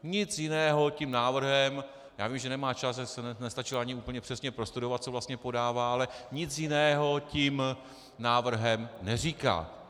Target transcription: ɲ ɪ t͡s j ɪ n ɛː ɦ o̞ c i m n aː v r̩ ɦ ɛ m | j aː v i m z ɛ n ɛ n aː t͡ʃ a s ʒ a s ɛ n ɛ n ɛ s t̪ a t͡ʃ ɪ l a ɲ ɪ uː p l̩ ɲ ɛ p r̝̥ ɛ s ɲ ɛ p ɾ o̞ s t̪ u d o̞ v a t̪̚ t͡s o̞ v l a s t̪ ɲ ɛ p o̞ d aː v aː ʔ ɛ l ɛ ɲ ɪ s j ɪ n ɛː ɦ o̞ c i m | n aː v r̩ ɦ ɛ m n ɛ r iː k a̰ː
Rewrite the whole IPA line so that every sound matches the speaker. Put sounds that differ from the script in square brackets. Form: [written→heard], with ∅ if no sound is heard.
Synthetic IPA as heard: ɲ ɪ t͡s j ɪ n ɛː ɦ o̞ c i m n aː v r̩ ɦ ɛ m | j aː v i m [z→ʒ] ɛ n ɛ [n→m] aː t͡ʃ a s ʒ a s ɛ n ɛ n ɛ s t̪ a t͡ʃ ɪ l a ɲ ɪ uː p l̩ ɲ ɛ p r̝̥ ɛ s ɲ ɛ p ɾ o̞ s t̪ u d o̞ v a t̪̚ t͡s o̞ v l a s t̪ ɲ ɛ p o̞ d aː v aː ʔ [ɛ→a] l ɛ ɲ ɪ [s→t͡s] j ɪ n ɛː ɦ o̞ c i m | n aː v r̩ ɦ ɛ m n ɛ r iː k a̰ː